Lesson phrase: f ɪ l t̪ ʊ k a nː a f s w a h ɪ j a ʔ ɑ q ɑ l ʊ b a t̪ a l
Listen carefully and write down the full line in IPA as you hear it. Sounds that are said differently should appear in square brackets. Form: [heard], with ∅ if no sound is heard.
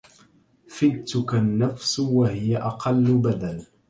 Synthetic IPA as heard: f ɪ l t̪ ʊ k a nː a f s w a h ɪ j a ʔ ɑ q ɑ [lː] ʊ b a [d̪] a l